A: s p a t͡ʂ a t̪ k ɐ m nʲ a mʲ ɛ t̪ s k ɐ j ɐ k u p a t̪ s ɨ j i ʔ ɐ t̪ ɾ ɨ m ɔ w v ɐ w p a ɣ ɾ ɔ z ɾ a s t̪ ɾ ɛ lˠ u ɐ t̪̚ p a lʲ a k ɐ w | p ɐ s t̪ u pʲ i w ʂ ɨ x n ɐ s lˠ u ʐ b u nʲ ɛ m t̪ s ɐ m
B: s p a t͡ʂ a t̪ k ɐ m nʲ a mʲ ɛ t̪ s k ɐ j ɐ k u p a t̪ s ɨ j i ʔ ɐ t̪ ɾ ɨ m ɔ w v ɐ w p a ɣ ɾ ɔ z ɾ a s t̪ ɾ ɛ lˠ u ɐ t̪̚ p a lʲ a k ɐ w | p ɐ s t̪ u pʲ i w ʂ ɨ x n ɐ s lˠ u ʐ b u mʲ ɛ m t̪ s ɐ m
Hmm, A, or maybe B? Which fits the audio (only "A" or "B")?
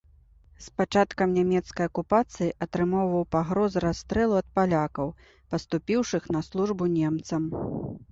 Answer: A